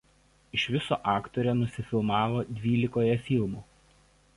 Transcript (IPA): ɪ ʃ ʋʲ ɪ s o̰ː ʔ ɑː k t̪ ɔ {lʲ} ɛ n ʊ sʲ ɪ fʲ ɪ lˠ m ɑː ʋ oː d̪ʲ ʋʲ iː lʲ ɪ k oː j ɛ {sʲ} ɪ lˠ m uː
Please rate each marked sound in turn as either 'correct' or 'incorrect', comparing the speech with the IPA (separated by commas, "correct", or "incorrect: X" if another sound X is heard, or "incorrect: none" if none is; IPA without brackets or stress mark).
incorrect: ɾʲ, incorrect: fʲ